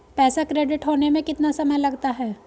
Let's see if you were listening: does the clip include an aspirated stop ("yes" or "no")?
no